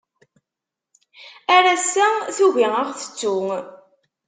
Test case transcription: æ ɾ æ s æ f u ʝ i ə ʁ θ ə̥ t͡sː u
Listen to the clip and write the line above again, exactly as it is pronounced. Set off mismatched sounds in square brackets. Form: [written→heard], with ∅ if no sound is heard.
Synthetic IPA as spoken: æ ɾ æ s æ [f→θ] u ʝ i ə ʁ θ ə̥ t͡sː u